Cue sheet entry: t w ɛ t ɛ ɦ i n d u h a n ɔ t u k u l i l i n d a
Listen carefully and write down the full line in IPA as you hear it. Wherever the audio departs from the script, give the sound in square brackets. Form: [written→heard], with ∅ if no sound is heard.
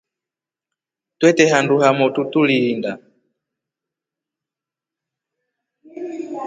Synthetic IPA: t w ɛ t ɛ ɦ [i→a] n d u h a [n→m] ɔ t u [k→t] u l i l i n d a